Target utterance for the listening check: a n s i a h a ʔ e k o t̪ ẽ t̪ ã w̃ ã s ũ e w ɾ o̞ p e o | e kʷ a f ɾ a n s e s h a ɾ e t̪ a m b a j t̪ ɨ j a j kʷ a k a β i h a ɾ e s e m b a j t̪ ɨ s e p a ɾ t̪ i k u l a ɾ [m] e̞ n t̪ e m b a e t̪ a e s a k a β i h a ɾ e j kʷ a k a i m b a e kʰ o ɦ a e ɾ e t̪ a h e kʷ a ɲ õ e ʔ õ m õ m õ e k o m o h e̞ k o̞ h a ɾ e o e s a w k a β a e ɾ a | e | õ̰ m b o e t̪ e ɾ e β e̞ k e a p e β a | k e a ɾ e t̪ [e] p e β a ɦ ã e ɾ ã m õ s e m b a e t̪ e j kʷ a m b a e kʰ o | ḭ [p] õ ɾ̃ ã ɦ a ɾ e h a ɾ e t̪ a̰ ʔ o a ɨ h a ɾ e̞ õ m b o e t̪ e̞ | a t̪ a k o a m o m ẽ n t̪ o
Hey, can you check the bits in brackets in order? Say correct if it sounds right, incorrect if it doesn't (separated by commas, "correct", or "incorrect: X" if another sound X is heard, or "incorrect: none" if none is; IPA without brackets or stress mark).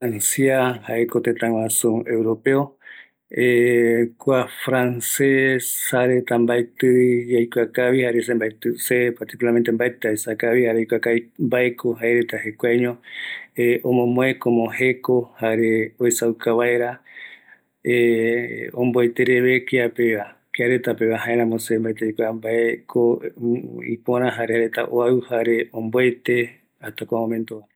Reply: correct, incorrect: a, correct